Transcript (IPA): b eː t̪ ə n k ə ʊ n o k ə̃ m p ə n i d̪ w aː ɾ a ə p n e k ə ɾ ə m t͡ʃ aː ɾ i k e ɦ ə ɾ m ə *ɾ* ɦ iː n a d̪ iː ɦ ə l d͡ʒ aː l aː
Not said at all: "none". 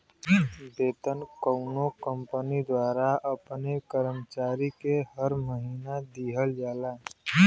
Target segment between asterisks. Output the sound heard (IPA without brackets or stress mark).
none